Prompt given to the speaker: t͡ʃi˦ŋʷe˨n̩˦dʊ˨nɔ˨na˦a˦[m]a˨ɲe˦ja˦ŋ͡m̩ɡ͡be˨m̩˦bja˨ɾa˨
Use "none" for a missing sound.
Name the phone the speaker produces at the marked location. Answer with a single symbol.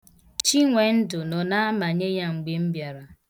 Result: m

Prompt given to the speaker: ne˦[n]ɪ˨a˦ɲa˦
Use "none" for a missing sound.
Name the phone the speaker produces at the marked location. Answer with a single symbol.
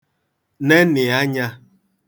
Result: n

